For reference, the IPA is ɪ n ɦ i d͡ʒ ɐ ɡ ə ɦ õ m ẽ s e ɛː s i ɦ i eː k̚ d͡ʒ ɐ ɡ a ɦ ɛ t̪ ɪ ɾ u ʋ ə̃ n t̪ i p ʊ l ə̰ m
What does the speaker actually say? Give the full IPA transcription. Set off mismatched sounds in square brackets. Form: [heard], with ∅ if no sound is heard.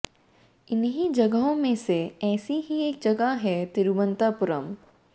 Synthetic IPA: ɪ n ɦ i d͡ʒ ɐ ɡ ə ɦ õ m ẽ s e ɛː s i ɦ i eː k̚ d͡ʒ ɐ ɡ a ɦ ɛ t̪ ɪ ɾ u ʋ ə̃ n t̪ [a] p ʊ [ɾ] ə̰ m